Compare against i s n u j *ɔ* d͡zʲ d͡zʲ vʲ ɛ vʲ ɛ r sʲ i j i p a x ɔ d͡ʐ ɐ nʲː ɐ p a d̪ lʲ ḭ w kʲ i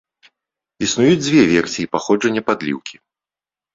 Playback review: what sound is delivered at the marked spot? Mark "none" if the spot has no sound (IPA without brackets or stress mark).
u